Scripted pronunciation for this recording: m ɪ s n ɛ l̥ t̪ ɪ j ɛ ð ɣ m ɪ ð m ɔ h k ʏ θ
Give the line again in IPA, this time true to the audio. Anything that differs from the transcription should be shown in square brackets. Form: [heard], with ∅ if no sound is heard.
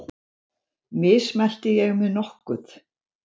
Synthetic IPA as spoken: m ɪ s [m] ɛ l̥ t̪ ɪ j ɛ [∅] ɣ m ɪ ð [n] ɔ h k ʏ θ